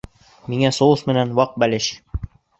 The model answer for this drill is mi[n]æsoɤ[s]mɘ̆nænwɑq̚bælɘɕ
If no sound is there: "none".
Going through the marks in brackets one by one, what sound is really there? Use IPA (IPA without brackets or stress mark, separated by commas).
ŋ, s